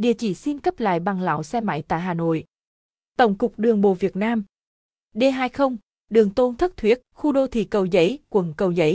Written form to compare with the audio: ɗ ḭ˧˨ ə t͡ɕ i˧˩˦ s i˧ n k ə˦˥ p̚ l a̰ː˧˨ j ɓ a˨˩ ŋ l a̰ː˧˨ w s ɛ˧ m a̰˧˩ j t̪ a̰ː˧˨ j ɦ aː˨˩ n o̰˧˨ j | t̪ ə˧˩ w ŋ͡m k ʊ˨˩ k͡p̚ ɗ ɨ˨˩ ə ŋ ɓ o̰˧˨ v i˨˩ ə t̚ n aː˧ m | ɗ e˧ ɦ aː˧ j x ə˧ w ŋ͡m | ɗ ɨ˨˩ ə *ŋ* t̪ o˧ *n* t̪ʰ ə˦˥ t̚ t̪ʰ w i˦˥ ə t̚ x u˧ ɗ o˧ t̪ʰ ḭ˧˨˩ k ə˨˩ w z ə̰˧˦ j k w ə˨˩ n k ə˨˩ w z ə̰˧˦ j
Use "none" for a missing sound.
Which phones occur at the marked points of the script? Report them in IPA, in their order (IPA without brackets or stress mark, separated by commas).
ŋ, n